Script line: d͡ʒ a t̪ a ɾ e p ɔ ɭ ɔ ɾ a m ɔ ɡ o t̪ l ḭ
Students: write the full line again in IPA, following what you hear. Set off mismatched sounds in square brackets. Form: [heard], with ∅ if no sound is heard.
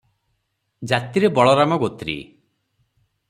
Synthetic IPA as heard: d͡ʒ a t̪ [i] ɾ e [b] ɔ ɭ ɔ ɾ a m ɔ ɡ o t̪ [ɾ] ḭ